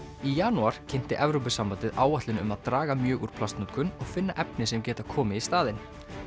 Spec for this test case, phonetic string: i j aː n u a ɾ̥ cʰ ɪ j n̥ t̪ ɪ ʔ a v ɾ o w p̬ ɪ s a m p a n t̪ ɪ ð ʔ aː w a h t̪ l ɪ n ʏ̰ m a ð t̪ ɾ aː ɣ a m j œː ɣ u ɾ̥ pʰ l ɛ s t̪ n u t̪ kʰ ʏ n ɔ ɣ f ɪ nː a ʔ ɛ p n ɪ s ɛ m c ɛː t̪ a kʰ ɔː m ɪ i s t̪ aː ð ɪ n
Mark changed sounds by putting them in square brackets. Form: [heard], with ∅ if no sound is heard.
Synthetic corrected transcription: i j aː n u a ɾ̥ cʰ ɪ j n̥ t̪ ɪ ʔ [ɛ] v ɾ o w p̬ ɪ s a m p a n t̪ ɪ ð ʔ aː w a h t̪ l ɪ n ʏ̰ m a ð t̪ ɾ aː ɣ a m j œː ɣ u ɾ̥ pʰ l [a] s t̪ n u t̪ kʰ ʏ n ɔ ɣ f ɪ nː a ʔ ɛ p n ɪ s ɛ m c ɛː t̪ a kʰ ɔː m ɪ i s t̪ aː ð ɪ n

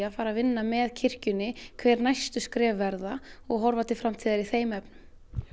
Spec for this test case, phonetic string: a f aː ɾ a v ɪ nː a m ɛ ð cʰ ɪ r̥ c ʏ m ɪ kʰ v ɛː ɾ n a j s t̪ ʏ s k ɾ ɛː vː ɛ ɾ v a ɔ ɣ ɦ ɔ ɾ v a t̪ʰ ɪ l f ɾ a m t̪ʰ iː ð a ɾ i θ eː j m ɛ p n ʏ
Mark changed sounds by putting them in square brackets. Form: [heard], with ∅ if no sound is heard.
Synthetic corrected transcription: a f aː ɾ a v ɪ nː a m ɛ ð cʰ ɪ r̥ c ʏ [n] ɪ kʰ v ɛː ɾ n a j s t̪ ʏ s k ɾ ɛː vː ɛ ɾ [ð] a ɔ ɣ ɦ ɔ ɾ v a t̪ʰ ɪ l f ɾ a m t̪ʰ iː ð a ɾ i θ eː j m ɛ p n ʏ

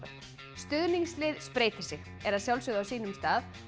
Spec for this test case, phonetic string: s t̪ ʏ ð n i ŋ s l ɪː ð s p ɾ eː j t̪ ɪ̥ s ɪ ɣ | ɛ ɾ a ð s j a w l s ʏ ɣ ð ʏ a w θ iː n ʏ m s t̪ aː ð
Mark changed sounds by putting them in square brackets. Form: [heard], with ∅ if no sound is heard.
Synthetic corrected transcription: s t̪ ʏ ð n i ŋ s l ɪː ð s p ɾ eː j t̪ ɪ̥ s ɪ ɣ | ɛ ɾ a ð s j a w l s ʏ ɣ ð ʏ a w [s] iː n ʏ m s t̪ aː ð

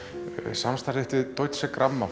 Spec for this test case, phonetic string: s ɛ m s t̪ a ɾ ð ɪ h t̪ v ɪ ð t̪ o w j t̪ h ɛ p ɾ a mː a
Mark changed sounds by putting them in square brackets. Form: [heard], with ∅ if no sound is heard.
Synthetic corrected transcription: s [a] m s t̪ a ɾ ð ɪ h t̪ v ɪ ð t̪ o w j t̪ [s] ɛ [k] ɾ a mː a

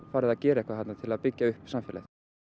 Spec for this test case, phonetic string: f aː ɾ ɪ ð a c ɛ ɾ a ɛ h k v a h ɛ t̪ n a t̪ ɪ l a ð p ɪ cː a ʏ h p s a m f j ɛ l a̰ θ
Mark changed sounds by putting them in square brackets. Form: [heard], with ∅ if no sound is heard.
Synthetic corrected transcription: f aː ɾ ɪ ð a c [ɛː] ɾ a ɛ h k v a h [a] t̪ n a [t̪ʰ] ɪ l a ð p ɪ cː a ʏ h p s a m f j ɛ l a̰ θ

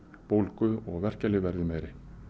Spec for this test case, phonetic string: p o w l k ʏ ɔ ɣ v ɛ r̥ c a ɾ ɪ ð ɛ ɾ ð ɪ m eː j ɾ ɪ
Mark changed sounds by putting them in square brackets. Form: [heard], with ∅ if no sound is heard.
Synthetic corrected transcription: p o w l k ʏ ɔ ɣ v ɛ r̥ c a [l] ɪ [v] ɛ ɾ ð ɪ m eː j ɾ ɪ

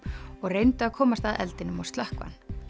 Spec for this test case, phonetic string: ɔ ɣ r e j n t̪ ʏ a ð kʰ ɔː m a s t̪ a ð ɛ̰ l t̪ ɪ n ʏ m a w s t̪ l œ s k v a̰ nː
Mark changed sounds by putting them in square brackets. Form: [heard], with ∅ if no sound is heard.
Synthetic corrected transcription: ɔ ɣ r e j n t̪ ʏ a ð kʰ ɔː m a s t̪ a ð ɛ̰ l t̪ ɪ n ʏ m a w s t̪ l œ [h] k v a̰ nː

